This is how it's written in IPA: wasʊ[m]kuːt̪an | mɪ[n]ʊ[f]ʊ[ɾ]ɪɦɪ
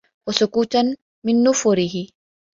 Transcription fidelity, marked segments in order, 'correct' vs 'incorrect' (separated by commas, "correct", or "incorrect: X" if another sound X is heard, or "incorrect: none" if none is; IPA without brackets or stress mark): incorrect: none, incorrect: nː, correct, correct